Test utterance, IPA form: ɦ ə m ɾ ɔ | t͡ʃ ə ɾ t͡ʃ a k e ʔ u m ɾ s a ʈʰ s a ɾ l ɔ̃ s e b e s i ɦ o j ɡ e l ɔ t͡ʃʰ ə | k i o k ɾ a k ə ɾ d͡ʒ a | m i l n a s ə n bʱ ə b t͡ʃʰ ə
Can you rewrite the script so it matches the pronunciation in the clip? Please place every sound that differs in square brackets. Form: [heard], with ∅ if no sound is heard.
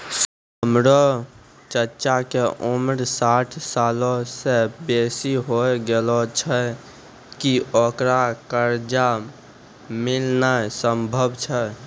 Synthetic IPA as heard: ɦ ə m ɾ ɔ | t͡ʃ ə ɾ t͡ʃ a k e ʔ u m ɾ s a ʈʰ s a [∅] l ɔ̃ s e b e s i ɦ o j ɡ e l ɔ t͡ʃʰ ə | k i o k ɾ a k ə ɾ d͡ʒ a | m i l n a s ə [m] bʱ ə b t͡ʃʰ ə